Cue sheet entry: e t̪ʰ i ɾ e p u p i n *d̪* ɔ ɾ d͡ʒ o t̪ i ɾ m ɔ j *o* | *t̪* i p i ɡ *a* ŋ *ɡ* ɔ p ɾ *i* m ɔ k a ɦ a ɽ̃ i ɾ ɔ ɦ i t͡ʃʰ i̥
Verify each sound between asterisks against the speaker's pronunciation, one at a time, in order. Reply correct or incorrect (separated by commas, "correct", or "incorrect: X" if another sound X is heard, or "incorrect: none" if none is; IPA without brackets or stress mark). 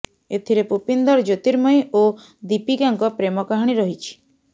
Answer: correct, correct, incorrect: d̪, correct, incorrect: k, incorrect: e